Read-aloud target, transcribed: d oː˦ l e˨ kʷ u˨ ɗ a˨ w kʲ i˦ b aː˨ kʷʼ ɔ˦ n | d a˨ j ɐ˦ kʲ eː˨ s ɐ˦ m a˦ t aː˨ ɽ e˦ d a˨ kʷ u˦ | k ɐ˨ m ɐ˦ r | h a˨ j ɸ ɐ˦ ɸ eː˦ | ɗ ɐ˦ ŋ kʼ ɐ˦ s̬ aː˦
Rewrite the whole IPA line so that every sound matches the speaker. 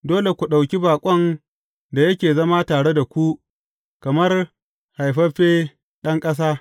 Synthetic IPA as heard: d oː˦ l e˨ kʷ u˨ ɗ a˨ w kʲ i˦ b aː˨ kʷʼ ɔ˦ n | d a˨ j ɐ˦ kʲ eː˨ z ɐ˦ m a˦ t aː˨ ɽ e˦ d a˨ kʷ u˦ | k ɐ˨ m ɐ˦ r | h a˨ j ɸ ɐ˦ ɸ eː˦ | ɗ ɐ˦ ŋ kʼ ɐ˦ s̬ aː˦